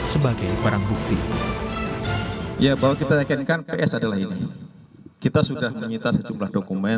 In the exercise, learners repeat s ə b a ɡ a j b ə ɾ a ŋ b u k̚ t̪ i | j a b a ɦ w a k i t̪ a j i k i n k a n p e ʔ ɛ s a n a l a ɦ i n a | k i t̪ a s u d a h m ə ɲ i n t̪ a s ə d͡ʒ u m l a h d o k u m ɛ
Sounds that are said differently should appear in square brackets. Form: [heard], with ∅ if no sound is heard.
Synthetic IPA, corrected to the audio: s ə b a ɡ a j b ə ɾ a ŋ b u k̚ t̪ i | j a b a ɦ w a k i t̪ a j [a] k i n k a n p e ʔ ɛ s a [d] a l a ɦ i n [i] | k i t̪ a s u d a h m ə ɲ i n t̪ a s ə d͡ʒ u m l a h d o k u m ɛ